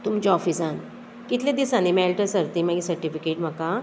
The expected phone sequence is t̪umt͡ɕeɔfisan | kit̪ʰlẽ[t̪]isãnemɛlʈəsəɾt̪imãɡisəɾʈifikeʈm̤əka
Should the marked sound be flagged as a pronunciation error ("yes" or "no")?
yes